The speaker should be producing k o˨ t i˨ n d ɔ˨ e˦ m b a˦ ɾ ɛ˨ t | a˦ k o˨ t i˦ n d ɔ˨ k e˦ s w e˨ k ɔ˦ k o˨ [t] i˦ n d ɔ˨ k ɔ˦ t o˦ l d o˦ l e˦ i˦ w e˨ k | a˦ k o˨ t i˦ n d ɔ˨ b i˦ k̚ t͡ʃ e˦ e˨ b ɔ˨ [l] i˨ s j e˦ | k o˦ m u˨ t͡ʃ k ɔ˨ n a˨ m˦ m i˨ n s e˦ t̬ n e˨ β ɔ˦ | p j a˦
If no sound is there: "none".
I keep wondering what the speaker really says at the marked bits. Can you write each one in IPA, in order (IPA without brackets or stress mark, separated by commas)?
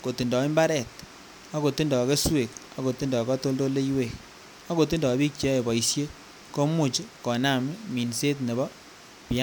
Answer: t, none